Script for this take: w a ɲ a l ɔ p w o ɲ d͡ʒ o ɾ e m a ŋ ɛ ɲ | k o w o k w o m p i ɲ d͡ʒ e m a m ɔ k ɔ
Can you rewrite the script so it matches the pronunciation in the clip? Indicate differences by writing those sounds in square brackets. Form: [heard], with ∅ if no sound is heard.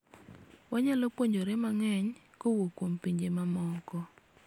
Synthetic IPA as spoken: w a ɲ a l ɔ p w o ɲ d͡ʒ o ɾ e m a ŋ ɛ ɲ | k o w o k w o m p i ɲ d͡ʒ e m a m ɔ k ɔ